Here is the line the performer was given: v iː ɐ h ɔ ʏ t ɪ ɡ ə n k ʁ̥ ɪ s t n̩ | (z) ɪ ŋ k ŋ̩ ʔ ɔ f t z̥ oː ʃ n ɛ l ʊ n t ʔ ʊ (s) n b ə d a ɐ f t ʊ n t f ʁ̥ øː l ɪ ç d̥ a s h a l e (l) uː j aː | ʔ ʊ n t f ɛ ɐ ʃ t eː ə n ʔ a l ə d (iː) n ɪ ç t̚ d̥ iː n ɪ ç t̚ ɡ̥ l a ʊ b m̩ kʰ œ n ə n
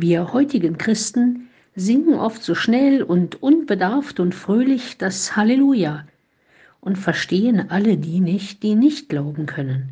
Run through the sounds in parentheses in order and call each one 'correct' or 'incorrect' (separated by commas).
correct, incorrect, correct, correct